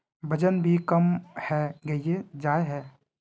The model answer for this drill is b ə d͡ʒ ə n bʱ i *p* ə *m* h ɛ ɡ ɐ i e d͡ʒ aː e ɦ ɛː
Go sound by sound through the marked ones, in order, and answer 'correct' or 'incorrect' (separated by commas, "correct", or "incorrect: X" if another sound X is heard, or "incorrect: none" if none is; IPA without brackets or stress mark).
incorrect: k, correct